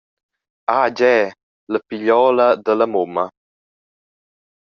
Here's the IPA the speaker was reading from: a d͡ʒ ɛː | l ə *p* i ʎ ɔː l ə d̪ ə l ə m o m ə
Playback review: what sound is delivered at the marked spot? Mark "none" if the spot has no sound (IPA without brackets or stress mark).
p